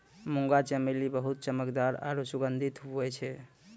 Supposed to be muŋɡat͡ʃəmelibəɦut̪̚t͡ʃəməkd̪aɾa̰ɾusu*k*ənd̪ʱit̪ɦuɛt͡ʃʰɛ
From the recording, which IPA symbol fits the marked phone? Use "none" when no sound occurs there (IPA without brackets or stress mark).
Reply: ɡ